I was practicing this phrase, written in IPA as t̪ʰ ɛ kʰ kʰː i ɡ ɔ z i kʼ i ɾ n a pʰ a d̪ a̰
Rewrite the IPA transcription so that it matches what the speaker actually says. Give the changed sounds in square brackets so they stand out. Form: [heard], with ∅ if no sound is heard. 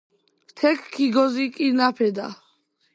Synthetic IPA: t̪ʰ ɛ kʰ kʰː i ɡ ɔ z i kʼ i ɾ n a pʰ [ɛ] d̪ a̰